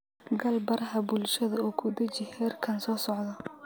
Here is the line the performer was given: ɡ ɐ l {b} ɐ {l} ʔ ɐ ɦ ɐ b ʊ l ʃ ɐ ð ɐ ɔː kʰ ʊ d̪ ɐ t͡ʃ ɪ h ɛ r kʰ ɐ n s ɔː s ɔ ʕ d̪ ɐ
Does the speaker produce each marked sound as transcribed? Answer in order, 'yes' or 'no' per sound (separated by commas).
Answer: yes, no